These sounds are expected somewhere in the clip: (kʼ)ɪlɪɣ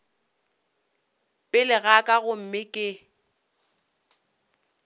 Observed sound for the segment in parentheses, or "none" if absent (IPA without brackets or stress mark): pʼ